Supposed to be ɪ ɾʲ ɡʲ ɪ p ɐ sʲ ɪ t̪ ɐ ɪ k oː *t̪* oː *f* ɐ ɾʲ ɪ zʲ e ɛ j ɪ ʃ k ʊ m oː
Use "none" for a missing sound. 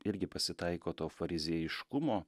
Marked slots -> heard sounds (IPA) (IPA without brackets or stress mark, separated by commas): t̪, f